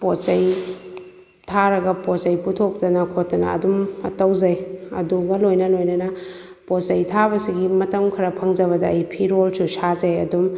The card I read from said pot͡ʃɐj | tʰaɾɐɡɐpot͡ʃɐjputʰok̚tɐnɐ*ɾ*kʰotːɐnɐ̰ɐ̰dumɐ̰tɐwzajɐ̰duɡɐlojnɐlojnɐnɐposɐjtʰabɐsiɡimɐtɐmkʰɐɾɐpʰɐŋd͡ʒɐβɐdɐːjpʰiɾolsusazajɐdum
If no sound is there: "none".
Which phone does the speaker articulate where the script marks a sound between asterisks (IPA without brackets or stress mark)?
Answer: none